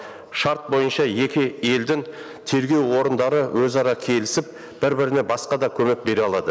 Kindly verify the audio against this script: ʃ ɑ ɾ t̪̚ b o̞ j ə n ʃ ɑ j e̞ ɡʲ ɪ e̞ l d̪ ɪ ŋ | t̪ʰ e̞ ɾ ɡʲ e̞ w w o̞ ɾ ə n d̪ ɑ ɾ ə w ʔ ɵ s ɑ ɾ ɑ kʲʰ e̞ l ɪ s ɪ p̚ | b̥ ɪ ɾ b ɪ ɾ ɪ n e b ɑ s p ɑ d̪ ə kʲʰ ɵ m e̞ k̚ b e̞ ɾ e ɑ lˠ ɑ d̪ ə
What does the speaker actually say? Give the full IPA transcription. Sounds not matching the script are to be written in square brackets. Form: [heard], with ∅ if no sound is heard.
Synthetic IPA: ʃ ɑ ɾ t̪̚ b o̞ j ə n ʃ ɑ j e̞ [kʲ] ɪ e̞ l d̪ ɪ ŋ | t̪ʰ e̞ ɾ ɡʲ e̞ w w o̞ ɾ ə n d̪ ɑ ɾ ə w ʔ ɵ [z] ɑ ɾ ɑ kʲʰ e̞ l ɪ s ɪ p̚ | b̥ ɪ ɾ b ɪ ɾ ɪ n e b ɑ s [q] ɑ d̪ [ɑ] kʲʰ ɵ m e̞ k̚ b e̞ ɾ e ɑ lˠ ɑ d̪ ə